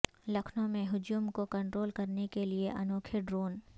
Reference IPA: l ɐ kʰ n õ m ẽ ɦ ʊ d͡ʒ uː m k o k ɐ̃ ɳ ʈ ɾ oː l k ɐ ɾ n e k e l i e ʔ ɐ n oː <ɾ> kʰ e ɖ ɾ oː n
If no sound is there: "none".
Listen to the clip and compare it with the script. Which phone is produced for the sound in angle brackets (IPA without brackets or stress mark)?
none